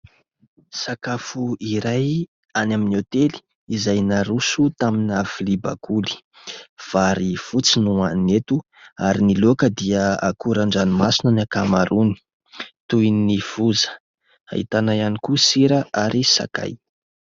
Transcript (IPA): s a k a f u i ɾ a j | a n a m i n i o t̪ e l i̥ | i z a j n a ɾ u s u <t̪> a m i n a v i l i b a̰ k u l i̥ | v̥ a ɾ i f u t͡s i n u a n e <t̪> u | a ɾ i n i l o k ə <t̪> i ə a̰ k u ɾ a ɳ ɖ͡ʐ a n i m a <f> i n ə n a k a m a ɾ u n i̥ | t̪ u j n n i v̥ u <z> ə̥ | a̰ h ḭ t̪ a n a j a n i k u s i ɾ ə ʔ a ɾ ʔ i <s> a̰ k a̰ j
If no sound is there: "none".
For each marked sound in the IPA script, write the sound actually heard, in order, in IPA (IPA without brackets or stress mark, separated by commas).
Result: t̪, t̪, d̪, s, z, s